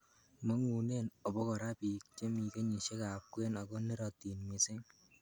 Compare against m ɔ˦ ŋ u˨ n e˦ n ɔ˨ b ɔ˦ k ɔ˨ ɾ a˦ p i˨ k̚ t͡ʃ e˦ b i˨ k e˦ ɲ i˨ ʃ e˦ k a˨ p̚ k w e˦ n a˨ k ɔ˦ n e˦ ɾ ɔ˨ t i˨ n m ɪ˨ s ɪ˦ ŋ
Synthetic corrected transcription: m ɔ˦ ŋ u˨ n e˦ n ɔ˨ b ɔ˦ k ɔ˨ ɾ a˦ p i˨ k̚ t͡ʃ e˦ m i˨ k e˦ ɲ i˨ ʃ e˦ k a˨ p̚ k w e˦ n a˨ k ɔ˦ n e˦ ɾ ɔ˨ t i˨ n m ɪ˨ s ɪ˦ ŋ